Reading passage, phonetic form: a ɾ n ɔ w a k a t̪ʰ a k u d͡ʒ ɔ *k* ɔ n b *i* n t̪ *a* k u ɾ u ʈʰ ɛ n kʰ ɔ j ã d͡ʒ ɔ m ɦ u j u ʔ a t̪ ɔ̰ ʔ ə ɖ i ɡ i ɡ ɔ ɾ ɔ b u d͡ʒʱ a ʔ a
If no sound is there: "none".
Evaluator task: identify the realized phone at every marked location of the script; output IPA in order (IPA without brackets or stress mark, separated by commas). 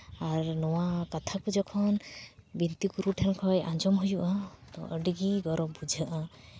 kʰ, i, i